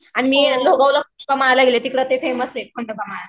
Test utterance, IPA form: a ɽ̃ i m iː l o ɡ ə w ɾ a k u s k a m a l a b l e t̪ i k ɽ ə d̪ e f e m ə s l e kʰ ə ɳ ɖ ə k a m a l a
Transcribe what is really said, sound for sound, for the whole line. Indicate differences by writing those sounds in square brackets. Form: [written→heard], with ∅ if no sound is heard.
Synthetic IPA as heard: a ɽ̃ i m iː l o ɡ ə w [ɾ→l] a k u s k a m a l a [b→ɡ] l e t̪ i k ɽ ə [d̪→t̪] e f e m ə s l e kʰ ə ɳ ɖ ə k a m a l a

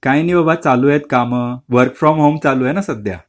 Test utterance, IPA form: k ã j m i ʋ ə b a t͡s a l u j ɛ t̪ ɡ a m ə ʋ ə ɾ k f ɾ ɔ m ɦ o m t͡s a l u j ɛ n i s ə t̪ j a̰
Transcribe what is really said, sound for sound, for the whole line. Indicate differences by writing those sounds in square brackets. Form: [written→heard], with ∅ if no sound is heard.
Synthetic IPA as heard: k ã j [m→n] i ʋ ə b a t͡s a l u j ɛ t̪ [ɡ→k] a m ə ʋ ə ɾ k f ɾ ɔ m ɦ o m t͡s a l u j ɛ n [i→a] s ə [t̪→d̪] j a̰

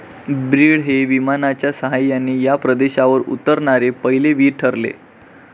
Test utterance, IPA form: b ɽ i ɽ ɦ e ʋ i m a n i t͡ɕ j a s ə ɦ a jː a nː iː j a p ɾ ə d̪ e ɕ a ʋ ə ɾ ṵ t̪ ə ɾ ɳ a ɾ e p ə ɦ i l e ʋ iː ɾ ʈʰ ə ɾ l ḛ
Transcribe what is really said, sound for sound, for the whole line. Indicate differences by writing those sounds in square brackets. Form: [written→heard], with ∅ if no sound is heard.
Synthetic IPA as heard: b [ɽ→ɾ] i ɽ ɦ e ʋ i m a n [i→a] t͡ɕ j a s ə ɦ a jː a nː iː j a p ɾ ə d̪ e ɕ a ʋ ə ɾ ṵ t̪ ə ɾ ɳ a ɾ e p ə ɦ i l e ʋ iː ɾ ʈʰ ə ɾ l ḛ

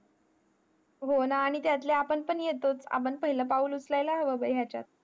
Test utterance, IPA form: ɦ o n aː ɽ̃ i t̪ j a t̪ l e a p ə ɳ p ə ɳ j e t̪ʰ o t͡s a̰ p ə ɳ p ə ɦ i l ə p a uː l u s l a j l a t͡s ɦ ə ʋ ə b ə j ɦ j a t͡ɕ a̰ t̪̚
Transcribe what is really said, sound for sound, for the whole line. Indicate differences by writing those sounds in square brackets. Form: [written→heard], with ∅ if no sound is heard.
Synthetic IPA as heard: ɦ o n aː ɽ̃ i t̪ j a t̪ l e a p ə ɳ p ə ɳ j e [t̪ʰ→t̪] o t͡s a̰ p ə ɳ p ə ɦ i l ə p a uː l u [s→t͡s] l a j l a [t͡s→∅] ɦ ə ʋ ə b ə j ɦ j a t͡ɕ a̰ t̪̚

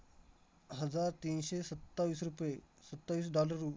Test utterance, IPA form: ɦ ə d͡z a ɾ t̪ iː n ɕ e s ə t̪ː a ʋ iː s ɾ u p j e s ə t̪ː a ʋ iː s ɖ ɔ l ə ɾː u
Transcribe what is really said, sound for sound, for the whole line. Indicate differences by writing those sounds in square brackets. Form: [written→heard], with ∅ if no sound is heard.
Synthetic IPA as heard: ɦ ə d͡z a ɾ t̪ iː n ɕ e s ə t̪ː a ʋ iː s ɾ u p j e s ə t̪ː a ʋ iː s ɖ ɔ l ə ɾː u

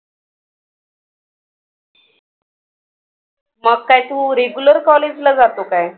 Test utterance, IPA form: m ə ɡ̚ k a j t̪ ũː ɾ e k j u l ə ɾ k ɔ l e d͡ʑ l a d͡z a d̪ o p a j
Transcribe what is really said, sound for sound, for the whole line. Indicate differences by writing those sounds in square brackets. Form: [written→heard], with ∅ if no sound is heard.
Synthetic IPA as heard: m ə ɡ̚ k a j t̪ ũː ɾ e [k→ɡ] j u l ə ɾ k ɔ l e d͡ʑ l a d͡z a [d̪→t̪] o [p→k] a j

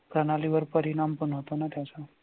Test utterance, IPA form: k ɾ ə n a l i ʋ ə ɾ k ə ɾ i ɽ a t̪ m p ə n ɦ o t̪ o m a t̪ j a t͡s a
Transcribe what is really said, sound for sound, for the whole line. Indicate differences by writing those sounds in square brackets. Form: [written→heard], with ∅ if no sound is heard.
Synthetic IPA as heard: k ɾ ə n a l i ʋ ə ɾ [k→p] ə ɾ i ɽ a [t̪→∅] m p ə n ɦ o t̪ o [m→n] a t̪ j a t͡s a

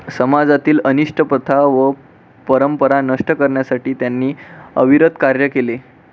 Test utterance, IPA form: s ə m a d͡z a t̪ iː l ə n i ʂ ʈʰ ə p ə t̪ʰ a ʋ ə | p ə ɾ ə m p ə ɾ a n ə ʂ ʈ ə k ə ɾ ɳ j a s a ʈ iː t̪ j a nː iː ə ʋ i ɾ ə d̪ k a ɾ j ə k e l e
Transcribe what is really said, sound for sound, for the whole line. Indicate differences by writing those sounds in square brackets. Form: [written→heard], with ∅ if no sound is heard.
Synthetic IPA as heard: s ə m a d͡z a t̪ iː l ə n i ʂ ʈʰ ə p ə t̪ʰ a ʋ ə | p ə ɾ ə m p ə ɾ a n ə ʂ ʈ ə k ə ɾ ɳ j a s a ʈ iː t̪ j a nː iː ə ʋ i ɾ ə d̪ k a ɾ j ə k e l e

